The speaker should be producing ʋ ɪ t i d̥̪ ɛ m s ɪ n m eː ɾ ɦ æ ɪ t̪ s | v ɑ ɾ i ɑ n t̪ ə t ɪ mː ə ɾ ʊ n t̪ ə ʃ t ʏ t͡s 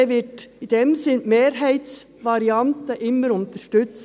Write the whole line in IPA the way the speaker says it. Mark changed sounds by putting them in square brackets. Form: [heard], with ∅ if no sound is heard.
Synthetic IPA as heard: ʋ ɪ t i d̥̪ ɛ m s ɪ n m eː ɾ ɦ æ ɪ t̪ s | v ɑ ɾ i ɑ n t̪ ə [ʔ] ɪ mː ə ɾ ʊ n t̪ ə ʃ t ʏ t͡s